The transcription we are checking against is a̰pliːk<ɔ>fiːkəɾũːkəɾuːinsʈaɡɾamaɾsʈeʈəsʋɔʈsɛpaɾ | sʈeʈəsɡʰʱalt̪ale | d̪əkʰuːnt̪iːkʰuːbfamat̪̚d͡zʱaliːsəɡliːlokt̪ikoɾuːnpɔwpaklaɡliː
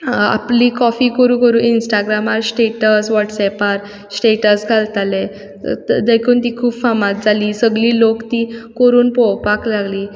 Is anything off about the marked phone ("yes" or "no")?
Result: no